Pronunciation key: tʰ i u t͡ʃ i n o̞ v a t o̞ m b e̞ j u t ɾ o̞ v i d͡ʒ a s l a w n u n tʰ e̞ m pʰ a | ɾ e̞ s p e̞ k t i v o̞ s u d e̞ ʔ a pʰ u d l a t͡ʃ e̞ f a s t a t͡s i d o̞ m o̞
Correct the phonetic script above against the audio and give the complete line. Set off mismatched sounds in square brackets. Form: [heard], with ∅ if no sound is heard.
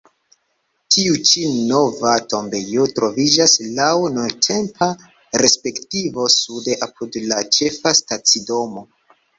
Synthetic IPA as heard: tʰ i u t͡ʃ i n o̞ v a t o̞ m b e̞ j [o] t ɾ o̞ v i d͡ʒ a s l a w n u n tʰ e̞ m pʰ a | ɾ e̞ s p e̞ k t i v o̞ s u d e̞ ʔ a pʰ u d l a t͡ʃ e̞ f a s t a t͡s i d o̞ m o̞

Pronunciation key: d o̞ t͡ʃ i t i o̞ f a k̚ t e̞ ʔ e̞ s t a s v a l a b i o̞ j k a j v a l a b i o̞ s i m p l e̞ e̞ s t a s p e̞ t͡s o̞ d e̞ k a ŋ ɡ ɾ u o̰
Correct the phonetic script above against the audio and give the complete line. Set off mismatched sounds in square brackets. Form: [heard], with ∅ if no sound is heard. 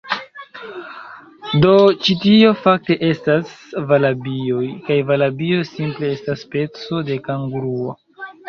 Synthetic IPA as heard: d o̞ t͡ʃ i t i o̞ f a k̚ t e̞ ʔ e̞ s t a s v a l a b i o̞ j k a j v a l a b i o̞ s i m p l e̞ e̞ s t a s p e̞ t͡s o̞ d e̞ k a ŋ ɡ ɾ u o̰

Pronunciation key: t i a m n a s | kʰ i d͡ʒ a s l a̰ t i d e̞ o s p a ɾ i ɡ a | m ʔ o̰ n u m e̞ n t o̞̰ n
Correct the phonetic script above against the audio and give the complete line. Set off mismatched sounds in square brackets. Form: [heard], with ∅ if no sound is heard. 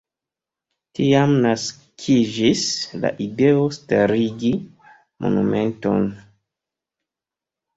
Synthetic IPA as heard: t i a m n a s | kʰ i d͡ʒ [i] s l a̰ [ʔ] i d e̞ o s [t] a ɾ i ɡ [i] | m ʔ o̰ n u m e̞ n t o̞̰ n

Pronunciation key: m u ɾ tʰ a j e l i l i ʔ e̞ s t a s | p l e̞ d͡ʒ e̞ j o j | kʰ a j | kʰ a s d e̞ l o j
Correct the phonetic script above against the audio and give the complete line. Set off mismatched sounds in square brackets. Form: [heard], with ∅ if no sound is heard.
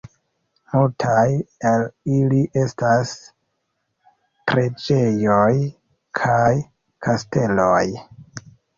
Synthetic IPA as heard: m u [l] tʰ a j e l i l i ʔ e̞ s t a s | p [ɾ] e̞ d͡ʒ e̞ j o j | kʰ a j | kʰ a s [t] e̞ l o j

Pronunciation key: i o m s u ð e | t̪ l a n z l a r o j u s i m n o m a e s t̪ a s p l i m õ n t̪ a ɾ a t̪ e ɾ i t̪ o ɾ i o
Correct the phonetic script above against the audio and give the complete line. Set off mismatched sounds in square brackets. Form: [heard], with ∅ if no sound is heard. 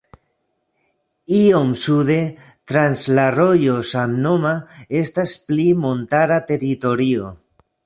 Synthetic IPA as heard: i o m s u ð e | t̪ [ɾ] a n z l a r o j [o] s [a] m n o m a e s t̪ a s p l i m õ n t̪ a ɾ a t̪ e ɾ i t̪ o ɾ i o

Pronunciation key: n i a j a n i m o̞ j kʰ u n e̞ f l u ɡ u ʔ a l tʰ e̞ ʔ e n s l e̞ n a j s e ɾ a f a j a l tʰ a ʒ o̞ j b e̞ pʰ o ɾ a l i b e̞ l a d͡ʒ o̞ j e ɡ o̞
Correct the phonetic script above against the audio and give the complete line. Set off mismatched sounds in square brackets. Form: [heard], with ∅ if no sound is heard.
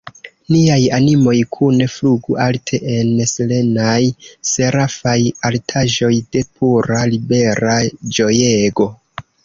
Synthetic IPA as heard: n i a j a n i m o̞ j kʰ u n e̞ f l u ɡ u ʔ a l tʰ e̞ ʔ e n s l e̞ n a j s e ɾ a f a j a l tʰ a ʒ o̞ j [d] e̞ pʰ [u] ɾ a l i b e̞ [ɾ] a d͡ʒ o̞ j e ɡ o̞

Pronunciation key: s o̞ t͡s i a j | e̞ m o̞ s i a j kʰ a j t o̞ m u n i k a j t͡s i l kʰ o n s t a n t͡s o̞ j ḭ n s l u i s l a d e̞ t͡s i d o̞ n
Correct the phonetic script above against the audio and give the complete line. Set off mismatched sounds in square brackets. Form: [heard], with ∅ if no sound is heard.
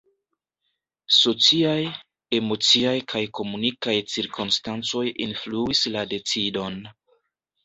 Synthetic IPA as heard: s o̞ t͡s i a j | e̞ m o̞ [t͡s] i a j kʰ a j [k] o̞ m u n i k a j t͡s i [ɾ] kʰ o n s t a n t͡s o̞ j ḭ n [f] l u i s l a d e̞ t͡s i d o̞ n

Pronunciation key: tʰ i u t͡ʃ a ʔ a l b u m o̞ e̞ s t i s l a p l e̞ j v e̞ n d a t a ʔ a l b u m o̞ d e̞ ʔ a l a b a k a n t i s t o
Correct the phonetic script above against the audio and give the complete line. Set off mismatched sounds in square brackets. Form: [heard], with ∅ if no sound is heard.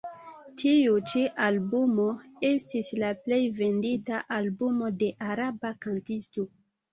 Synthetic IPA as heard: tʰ i u t͡ʃ [i] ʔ a l b u m o̞ e̞ s t i s l a p l e̞ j v e̞ n d [i] t a ʔ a l b u m o̞ d e̞ ʔ a [ɾ] a b a k a n t i s t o

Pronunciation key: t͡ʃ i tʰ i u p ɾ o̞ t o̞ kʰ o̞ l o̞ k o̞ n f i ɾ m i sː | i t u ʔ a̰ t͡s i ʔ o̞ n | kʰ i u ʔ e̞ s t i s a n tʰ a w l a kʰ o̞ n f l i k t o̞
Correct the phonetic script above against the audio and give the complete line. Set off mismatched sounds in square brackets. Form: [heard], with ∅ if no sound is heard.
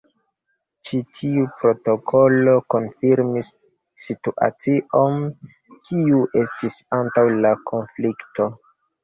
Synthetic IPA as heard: t͡ʃ i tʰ i u p ɾ o̞ t o̞ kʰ o̞ l o̞ k o̞ n f i ɾ m i sː | i t u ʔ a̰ t͡s i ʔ o̞ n | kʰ i u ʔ e̞ s t i s a n [t] a w l a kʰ o̞ n f l i k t o̞

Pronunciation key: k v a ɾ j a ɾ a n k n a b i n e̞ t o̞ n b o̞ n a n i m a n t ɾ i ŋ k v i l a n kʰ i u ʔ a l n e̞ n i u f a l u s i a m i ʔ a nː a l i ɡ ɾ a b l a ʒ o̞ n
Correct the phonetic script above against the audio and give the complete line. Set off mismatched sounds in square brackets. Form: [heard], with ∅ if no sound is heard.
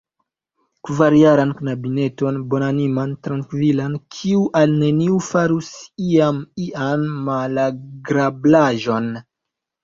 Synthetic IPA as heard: k v a ɾ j a ɾ a n k n a b i n e̞ t o̞ n b o̞ n a n i m a n t ɾ [a] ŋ k v i l a n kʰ i u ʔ a l n e̞ n i u f a [ɾ] u s i a m i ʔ a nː a l [a] ɡ ɾ a b l a ʒ o̞ n

